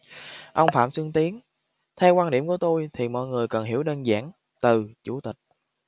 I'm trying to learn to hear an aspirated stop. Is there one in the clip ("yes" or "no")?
yes